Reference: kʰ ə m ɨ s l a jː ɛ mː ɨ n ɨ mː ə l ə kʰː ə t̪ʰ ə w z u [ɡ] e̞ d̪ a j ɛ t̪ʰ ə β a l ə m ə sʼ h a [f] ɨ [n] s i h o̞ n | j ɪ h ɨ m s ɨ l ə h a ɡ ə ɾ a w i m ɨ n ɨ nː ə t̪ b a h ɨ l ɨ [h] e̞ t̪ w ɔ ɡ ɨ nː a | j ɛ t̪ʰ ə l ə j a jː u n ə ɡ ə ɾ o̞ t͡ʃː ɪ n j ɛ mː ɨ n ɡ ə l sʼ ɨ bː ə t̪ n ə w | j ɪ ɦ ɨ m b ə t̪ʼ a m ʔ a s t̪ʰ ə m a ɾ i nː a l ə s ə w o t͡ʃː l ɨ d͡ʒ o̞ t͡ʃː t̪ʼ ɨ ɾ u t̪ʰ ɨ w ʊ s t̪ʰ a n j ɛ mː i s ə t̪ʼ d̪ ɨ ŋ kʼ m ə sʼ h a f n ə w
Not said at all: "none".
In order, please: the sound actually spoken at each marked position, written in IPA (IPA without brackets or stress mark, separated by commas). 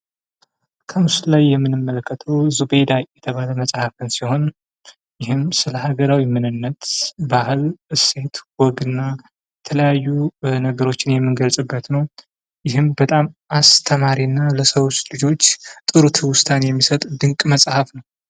b, f, n, s